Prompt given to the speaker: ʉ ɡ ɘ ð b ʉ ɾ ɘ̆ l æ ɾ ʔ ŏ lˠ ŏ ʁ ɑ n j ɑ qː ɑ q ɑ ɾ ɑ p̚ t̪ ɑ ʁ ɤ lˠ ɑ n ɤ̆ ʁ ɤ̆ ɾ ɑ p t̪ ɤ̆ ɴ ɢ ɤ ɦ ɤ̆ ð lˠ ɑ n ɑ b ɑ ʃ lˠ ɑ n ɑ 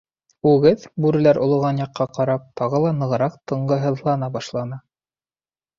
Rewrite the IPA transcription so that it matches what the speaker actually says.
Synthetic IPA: ʉ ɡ ɘ ð b ʉ ɾ ɘ̆ l æ ɾ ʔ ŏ lˠ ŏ ʁ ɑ n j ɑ qː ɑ q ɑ ɾ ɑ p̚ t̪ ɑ ʁ ɤ lˠ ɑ n ɤ̆ ʁ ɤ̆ ɾ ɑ q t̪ ɤ̆ ɴ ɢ ɤ ɦ ɤ̆ ð lˠ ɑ n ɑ b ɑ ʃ lˠ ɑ n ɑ